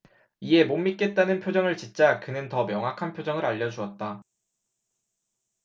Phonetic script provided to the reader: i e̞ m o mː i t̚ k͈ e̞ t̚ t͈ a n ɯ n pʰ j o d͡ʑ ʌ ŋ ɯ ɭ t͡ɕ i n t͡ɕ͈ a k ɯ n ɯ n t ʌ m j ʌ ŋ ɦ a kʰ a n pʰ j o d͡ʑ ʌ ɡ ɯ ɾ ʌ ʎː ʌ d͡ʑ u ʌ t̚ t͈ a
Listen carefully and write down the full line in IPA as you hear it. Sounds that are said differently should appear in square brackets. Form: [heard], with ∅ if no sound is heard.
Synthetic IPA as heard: i e̞ m o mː i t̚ k͈ e̞ t̚ t͈ a n ɯ n pʰ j o d͡ʑ ʌ ŋ ɯ ɭ t͡ɕ i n t͡ɕ͈ a k ɯ n ɯ n t ʌ m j ʌ ŋ ɦ a kʰ a n pʰ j o d͡ʑ ʌ [ŋ] ɯ ɾ [a] ʎː ʌ d͡ʑ u ʌ t̚ t͈ a